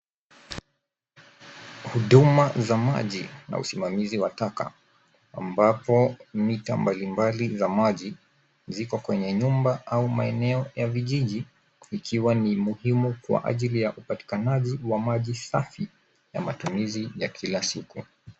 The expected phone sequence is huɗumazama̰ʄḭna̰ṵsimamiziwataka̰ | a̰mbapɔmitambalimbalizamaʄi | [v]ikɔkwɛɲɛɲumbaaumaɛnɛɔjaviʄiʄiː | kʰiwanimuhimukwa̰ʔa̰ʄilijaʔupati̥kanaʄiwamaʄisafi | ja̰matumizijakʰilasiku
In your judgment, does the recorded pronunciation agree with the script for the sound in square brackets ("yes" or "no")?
no